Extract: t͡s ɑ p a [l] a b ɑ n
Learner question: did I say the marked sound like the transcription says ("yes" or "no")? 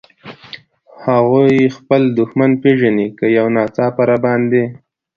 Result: no